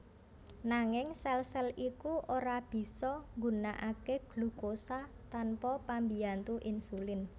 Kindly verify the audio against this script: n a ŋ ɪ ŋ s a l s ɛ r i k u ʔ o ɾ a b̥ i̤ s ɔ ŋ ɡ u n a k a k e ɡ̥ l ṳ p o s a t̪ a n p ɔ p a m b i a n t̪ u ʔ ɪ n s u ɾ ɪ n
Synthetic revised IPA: n a ŋ ɪ ŋ s ɛ l s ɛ l i k u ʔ o ɾ a b̥ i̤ s ɔ ŋ ɡ u n a ʔ a k e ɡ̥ l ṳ k o s a t̪ a n p ɔ p a m b i a n t̪ u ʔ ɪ n s u l ɪ n